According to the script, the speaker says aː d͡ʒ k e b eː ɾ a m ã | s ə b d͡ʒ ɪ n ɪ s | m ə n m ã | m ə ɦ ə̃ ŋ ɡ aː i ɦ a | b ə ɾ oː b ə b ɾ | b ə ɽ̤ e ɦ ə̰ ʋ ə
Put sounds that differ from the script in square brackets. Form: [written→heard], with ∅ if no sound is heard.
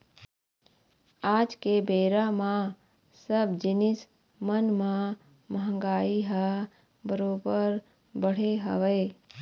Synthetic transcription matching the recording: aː d͡ʒ k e b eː ɾ a m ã | s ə b d͡ʒ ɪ n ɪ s | m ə n m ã | m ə ɦ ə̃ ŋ ɡ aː i ɦ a | b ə ɾ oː b ə [b→∅] ɾ | b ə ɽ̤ e ɦ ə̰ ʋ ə

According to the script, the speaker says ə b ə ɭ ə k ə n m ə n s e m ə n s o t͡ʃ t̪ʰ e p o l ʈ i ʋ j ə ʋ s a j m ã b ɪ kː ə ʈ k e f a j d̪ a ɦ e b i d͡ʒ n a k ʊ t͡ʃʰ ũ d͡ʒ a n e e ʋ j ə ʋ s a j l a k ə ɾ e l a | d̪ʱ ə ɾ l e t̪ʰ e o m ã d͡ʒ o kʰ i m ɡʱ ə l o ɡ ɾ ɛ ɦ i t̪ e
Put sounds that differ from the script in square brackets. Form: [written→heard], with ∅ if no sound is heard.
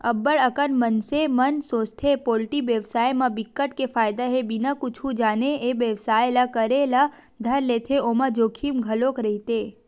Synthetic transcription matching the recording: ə b ə ɭ ə k ə n m ə n s e m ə n s o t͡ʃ t̪ʰ e p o l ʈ i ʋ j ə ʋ s a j m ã b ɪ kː ə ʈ k e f a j d̪ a ɦ e b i [d͡ʒ→∅] n a k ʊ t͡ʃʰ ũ d͡ʒ a n e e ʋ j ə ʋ s a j l a k ə ɾ e l a | d̪ʱ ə ɾ l e t̪ʰ e o m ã d͡ʒ o kʰ i m ɡʱ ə l o [ɡ→k] ɾ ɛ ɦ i t̪ e

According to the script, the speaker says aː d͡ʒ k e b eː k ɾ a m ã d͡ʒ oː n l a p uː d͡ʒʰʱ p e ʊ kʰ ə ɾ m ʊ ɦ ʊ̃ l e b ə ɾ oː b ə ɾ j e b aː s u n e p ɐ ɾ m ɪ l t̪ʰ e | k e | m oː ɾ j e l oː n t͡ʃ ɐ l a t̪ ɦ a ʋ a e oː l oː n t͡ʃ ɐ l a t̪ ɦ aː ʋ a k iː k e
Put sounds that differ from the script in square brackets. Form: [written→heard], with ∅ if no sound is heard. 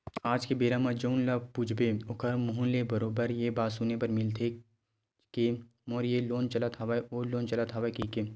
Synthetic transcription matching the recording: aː d͡ʒ k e b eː [k→∅] ɾ a m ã d͡ʒ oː n l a p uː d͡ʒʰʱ [p→b] e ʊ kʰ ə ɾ m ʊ ɦ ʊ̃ l e b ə ɾ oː b ə ɾ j e b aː s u n e p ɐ ɾ m ɪ l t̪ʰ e | k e | m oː ɾ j e l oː n t͡ʃ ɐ l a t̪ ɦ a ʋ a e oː l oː n t͡ʃ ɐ l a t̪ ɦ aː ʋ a k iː k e

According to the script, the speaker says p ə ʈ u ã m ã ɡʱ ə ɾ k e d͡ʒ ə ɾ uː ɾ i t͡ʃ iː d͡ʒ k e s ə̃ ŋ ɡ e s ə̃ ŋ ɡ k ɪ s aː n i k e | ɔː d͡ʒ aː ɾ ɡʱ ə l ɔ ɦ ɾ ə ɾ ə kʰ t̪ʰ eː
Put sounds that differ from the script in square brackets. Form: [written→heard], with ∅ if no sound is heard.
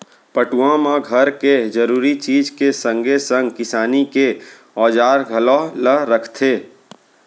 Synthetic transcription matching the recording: p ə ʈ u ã m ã ɡʱ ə ɾ k e d͡ʒ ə ɾ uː ɾ i t͡ʃ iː d͡ʒ k e s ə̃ ŋ ɡ e s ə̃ ŋ ɡ k ɪ s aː n i k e | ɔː d͡ʒ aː ɾ ɡʱ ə l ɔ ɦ [ɾ→l] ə ɾ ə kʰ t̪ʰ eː

